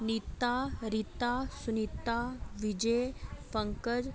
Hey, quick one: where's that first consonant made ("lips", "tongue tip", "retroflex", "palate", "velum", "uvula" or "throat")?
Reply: tongue tip